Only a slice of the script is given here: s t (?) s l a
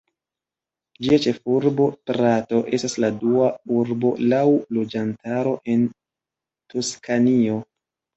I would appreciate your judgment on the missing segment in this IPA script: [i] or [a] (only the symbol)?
a